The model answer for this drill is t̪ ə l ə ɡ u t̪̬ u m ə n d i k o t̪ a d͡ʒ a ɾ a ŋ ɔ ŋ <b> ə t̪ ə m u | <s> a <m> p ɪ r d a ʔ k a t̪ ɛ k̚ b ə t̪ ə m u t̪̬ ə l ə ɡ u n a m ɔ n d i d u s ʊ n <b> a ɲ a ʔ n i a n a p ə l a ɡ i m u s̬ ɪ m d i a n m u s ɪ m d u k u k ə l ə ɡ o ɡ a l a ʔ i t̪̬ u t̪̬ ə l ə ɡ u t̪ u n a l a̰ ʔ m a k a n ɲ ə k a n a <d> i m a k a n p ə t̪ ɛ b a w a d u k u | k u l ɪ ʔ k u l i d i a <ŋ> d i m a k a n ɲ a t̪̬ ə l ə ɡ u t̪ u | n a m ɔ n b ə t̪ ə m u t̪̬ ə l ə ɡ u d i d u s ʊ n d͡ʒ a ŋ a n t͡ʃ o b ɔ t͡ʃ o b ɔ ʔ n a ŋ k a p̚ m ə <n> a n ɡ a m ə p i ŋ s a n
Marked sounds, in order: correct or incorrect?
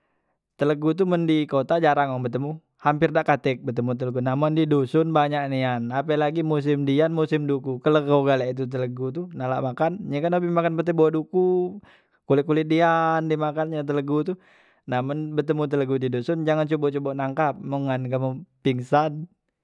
correct, incorrect, correct, correct, incorrect, incorrect, incorrect

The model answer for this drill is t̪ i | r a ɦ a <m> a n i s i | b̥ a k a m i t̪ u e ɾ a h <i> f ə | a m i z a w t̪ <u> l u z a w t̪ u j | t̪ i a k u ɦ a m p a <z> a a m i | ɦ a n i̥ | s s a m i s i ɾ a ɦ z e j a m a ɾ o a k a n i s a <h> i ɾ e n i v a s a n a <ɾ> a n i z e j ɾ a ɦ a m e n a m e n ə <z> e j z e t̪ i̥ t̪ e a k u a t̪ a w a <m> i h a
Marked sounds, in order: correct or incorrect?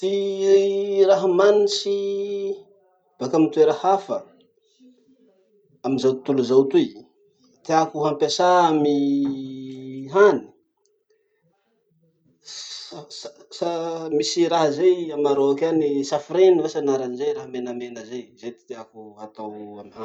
correct, incorrect, correct, incorrect, incorrect, correct, correct, correct

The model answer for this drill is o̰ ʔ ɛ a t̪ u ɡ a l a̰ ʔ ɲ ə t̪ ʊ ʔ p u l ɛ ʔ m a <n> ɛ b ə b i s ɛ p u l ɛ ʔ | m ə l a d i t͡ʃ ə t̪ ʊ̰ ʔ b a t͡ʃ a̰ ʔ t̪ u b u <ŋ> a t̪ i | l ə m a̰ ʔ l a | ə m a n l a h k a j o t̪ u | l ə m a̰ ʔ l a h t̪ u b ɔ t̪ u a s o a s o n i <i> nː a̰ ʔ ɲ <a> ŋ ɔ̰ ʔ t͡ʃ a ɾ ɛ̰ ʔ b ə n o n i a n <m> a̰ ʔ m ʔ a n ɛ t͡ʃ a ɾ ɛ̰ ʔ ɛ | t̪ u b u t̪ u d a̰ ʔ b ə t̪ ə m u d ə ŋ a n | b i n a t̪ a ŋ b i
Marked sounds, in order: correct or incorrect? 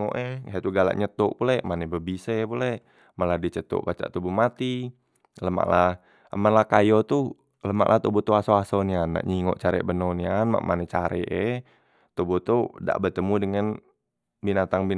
correct, incorrect, incorrect, incorrect, correct

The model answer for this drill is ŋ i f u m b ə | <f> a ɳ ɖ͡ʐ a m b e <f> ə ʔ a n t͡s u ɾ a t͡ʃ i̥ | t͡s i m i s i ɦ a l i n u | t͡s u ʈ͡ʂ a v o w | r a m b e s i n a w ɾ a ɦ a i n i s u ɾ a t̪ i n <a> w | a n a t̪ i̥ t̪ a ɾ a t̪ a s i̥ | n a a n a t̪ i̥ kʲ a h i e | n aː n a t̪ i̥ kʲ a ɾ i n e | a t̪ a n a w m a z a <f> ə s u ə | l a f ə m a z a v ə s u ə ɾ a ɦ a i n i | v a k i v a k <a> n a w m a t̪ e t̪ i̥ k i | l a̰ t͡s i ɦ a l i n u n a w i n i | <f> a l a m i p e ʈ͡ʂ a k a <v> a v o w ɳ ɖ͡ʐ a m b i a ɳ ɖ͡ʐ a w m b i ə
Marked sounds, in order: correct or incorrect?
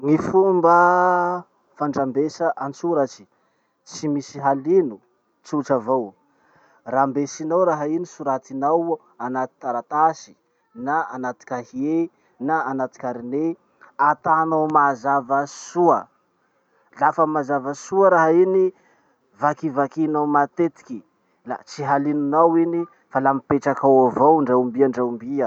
correct, incorrect, correct, incorrect, incorrect, correct, incorrect

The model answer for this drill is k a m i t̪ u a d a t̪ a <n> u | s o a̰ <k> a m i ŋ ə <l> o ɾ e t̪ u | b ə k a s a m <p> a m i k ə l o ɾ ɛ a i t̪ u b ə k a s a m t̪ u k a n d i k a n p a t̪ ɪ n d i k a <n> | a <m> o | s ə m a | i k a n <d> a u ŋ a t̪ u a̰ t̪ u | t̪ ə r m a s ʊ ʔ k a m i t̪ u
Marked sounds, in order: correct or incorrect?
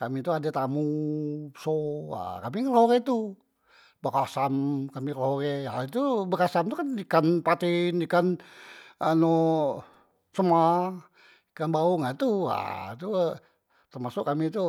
incorrect, correct, correct, incorrect, correct, incorrect, incorrect

